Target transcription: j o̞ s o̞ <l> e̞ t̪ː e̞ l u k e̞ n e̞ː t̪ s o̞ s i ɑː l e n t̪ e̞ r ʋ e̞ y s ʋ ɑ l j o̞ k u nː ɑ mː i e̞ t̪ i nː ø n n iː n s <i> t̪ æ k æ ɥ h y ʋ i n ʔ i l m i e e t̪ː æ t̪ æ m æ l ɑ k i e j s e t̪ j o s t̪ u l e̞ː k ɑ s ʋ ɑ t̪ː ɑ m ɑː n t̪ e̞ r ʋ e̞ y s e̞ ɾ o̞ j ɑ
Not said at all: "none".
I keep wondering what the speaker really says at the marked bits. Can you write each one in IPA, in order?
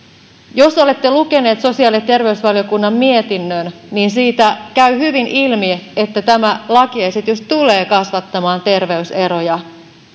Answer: l, iː

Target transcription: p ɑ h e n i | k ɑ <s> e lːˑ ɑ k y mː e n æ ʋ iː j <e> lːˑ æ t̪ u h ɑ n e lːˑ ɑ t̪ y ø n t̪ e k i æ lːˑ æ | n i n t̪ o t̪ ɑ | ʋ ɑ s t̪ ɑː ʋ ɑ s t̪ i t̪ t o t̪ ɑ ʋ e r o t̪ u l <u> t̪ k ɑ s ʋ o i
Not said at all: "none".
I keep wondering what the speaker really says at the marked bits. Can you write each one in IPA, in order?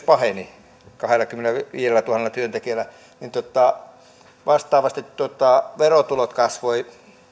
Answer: h, e, o

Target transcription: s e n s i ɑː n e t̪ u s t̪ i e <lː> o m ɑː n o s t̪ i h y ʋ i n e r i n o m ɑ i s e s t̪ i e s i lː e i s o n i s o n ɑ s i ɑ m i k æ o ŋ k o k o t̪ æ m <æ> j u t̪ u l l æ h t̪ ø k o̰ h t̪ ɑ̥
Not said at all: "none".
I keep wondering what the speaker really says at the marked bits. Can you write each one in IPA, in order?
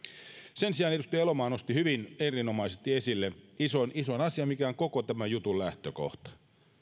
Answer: l, æ

